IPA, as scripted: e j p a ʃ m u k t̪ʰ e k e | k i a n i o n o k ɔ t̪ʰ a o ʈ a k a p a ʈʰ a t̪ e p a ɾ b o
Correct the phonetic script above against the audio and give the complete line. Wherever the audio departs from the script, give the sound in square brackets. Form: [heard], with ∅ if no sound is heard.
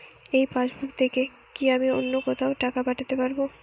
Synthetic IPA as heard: e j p a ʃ [b] u k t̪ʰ e k e | k i a [m] i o [nː] o k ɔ t̪ʰ a o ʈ a k a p a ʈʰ a t̪ e p a ɾ b o

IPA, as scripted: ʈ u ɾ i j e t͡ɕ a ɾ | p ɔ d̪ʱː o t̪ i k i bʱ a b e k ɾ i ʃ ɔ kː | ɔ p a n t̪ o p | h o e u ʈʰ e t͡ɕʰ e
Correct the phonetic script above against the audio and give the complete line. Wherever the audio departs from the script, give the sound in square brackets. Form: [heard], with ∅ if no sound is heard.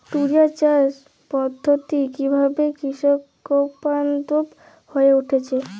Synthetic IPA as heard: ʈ u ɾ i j [a] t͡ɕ a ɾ | p ɔ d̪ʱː o t̪ i k i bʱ a b e k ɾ i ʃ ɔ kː | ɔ p a n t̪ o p | h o e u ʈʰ e t͡ɕʰ e

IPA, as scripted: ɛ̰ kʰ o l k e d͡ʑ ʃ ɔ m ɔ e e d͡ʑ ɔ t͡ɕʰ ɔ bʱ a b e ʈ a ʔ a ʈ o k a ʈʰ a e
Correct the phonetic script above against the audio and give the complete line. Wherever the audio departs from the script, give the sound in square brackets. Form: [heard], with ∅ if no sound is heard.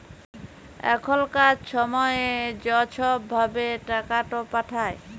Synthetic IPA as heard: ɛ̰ kʰ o l k [a] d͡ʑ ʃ ɔ m ɔ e e d͡ʑ ɔ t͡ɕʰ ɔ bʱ a b e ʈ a [k] a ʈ o [p] a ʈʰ a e

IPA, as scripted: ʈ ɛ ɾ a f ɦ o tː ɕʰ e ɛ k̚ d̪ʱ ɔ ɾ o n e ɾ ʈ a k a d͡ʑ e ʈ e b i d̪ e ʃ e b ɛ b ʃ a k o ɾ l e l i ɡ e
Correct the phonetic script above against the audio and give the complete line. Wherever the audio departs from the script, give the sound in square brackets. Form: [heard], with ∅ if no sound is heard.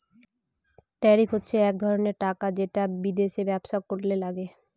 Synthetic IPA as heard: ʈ ɛ ɾ [i] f ɦ o tː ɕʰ e ɛ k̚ d̪ʱ ɔ ɾ o n e ɾ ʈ a k a d͡ʑ e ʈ [a] b i d̪ e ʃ e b ɛ b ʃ a k o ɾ l e l [a] ɡ e

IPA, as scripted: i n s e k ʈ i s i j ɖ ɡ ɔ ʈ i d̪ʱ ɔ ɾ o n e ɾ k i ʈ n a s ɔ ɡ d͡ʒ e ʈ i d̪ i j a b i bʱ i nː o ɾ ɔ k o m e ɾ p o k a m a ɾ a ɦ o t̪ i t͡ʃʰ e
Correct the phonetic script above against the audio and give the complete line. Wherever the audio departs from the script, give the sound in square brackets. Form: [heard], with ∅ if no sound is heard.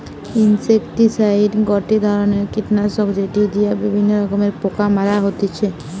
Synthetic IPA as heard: i n s e k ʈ i s [a] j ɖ ɡ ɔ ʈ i d̪ʱ ɔ ɾ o n e ɾ k i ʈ n a s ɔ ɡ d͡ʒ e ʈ i d̪ i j a b i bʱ i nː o ɾ ɔ k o m e ɾ p o k a m a ɾ a ɦ o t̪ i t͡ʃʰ e

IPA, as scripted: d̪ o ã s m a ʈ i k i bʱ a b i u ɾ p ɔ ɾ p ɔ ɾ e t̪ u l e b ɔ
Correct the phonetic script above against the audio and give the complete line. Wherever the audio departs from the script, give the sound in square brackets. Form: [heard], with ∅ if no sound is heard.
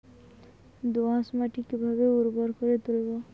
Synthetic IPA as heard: d̪ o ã s m a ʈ i k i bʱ a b [e] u ɾ [b] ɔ ɾ [k] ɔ ɾ e t̪ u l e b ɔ

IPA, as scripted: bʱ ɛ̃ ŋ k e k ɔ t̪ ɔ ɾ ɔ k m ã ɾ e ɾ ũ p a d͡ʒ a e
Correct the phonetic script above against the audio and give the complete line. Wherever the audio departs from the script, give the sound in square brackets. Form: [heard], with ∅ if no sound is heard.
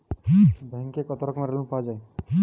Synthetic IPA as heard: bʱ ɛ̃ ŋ k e k ɔ t̪ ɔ ɾ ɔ k m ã ɾ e [l] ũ p a d͡ʒ a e

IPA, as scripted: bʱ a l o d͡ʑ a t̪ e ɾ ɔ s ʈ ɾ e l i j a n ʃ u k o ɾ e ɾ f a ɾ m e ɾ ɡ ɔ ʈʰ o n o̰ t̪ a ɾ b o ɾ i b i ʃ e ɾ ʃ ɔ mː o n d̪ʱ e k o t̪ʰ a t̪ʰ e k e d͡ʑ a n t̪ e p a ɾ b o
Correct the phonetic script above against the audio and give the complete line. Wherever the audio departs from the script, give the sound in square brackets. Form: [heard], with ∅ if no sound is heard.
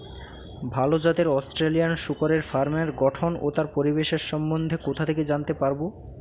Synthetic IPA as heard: bʱ a l o d͡ʑ a t̪ e ɾ ɔ s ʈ ɾ e l i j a n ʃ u k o ɾ e ɾ f a ɾ m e ɾ ɡ ɔ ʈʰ o n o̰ t̪ a ɾ [p] o ɾ i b [e] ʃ e ɾ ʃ ɔ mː o n d̪ʱ e k o t̪ʰ a t̪ʰ e k e d͡ʑ a n t̪ e p a ɾ b o

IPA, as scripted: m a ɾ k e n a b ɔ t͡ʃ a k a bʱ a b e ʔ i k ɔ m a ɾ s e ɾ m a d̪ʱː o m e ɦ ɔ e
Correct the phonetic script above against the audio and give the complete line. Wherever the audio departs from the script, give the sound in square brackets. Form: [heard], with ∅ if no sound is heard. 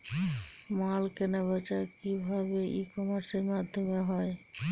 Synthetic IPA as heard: m a [l] k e n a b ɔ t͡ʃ a k [i] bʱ a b e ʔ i k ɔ m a ɾ s e ɾ m a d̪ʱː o m e ɦ ɔ e

